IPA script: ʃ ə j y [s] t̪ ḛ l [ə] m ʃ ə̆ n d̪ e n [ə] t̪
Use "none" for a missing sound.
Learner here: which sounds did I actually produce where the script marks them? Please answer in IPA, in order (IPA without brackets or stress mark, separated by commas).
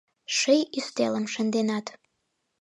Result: s, ə, ɑ